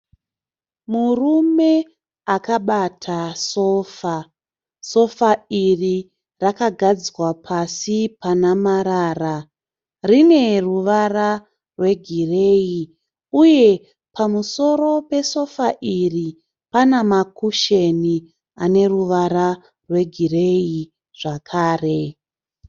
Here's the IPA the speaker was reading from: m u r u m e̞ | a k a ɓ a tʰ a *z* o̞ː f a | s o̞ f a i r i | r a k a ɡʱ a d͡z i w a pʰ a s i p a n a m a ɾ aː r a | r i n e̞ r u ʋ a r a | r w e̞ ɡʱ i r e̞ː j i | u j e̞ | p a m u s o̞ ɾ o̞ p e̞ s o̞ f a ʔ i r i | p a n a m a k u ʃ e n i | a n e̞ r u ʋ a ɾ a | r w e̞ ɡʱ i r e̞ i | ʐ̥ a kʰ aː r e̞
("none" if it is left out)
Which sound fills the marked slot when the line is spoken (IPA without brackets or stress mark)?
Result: s